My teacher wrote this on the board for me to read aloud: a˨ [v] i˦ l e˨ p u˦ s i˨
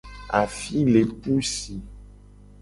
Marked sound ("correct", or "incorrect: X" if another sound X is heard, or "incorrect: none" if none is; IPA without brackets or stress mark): incorrect: f